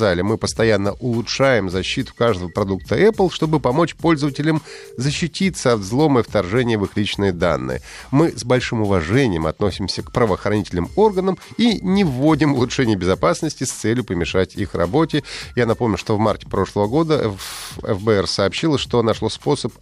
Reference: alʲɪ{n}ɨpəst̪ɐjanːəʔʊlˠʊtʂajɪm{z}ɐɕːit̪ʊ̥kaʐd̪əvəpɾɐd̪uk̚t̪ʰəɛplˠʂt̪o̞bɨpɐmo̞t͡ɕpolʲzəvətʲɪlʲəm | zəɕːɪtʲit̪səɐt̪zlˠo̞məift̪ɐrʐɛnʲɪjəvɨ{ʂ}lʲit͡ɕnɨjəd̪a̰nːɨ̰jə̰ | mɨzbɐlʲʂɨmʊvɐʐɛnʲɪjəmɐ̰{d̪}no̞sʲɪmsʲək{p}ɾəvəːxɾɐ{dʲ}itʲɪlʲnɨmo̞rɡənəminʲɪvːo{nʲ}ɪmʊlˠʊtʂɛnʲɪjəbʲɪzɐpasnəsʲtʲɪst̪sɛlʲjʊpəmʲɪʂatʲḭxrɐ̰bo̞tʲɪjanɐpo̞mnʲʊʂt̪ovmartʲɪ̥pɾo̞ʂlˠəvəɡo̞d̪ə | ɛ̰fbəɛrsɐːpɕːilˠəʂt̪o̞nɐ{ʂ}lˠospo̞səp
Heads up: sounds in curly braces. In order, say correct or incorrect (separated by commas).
incorrect, correct, incorrect, incorrect, correct, incorrect, incorrect, correct